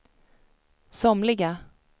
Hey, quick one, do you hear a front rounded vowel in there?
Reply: no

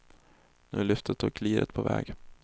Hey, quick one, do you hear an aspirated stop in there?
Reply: yes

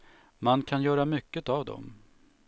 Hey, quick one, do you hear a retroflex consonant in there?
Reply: no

